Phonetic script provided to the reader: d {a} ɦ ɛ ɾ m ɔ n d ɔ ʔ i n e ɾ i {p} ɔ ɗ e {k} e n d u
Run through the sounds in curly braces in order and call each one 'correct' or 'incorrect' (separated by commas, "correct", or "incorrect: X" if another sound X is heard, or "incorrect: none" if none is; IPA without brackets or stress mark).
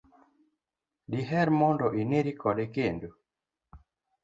incorrect: i, incorrect: k, correct